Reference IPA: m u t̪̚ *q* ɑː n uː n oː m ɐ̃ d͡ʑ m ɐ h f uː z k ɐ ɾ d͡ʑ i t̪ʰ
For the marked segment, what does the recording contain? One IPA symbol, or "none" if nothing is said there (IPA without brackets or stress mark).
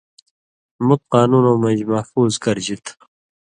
q